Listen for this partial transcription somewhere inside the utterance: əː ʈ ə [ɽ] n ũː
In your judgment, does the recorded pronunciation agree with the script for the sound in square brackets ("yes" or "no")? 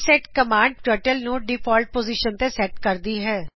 no